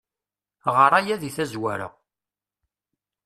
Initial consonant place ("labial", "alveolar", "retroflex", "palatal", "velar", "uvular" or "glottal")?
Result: uvular